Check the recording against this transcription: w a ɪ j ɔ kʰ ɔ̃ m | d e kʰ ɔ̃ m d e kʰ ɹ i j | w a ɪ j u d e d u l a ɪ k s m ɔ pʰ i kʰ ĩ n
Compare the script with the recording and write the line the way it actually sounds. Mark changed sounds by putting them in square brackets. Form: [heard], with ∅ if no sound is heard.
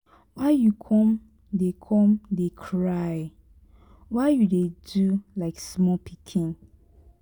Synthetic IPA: w a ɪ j [u] kʰ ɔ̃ m | d e kʰ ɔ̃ m d e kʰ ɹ [a] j | w a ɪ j u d e d u l a ɪ k s m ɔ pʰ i kʰ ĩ n